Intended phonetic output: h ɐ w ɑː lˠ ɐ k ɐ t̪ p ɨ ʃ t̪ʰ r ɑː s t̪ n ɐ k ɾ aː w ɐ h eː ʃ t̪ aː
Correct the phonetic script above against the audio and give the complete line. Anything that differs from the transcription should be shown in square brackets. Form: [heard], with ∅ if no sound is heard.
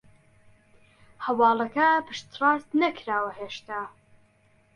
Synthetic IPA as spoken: h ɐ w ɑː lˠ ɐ k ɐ [∅] p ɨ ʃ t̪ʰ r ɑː s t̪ n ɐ k ɾ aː w ɐ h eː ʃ t̪ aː